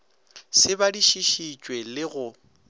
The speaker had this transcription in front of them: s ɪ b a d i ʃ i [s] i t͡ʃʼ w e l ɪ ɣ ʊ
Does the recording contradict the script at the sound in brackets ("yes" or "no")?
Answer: yes